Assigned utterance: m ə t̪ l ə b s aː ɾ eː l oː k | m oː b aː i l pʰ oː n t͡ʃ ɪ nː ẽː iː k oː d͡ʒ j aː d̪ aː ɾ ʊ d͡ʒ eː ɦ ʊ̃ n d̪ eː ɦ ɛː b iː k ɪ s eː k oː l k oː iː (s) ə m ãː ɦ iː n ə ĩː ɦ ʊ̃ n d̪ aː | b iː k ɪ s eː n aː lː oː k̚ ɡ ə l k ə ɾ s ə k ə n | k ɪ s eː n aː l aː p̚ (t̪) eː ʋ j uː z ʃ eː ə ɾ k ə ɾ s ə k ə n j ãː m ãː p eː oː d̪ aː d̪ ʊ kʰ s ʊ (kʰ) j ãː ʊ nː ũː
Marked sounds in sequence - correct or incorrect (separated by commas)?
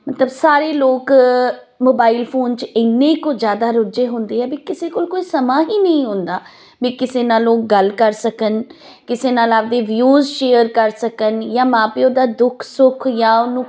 correct, incorrect, correct